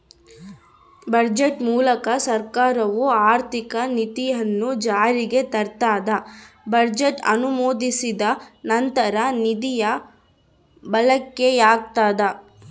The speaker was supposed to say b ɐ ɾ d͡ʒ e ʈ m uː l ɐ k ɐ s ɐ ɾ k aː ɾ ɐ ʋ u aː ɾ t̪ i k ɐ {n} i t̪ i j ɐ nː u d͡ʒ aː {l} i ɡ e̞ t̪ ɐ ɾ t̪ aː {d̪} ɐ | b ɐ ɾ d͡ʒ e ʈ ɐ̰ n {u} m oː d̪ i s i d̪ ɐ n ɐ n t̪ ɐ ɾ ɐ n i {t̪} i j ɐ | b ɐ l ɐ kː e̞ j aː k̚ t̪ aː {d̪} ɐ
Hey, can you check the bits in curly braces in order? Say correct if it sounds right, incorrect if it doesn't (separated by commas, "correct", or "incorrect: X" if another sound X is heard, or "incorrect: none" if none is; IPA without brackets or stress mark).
correct, incorrect: ɾ, correct, correct, incorrect: d̪, correct